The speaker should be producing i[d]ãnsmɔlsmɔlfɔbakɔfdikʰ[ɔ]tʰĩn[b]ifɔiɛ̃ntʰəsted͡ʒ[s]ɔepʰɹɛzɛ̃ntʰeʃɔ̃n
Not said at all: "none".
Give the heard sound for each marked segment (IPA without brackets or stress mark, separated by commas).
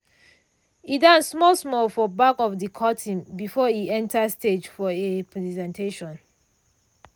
d, ɔ, b, f